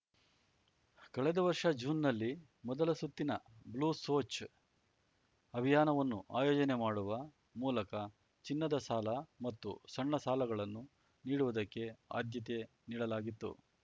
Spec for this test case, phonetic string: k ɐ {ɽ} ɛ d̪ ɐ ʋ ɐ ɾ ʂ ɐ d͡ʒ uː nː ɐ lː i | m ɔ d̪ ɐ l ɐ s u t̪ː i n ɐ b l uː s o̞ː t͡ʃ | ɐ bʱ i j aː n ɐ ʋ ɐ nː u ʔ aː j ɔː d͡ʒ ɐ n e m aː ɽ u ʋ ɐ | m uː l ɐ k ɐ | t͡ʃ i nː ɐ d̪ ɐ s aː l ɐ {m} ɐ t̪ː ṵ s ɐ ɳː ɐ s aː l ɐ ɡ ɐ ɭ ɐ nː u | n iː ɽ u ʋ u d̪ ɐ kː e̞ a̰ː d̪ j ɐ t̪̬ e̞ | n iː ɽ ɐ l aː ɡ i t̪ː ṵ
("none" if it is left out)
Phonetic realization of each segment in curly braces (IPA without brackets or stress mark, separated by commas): ɭ, m